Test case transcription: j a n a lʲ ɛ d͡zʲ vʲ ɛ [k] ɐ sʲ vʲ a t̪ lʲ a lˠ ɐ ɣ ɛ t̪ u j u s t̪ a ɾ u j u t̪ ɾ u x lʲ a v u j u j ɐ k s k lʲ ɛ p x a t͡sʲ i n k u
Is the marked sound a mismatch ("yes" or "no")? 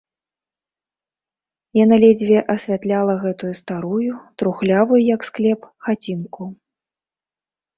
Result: yes